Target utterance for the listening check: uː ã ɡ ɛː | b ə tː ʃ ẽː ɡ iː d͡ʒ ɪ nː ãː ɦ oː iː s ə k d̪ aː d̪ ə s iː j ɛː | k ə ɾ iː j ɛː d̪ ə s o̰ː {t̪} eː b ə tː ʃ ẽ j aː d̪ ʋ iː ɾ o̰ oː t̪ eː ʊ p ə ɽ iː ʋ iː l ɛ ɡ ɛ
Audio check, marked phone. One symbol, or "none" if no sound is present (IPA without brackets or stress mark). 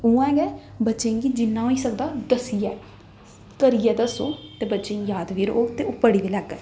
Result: t̪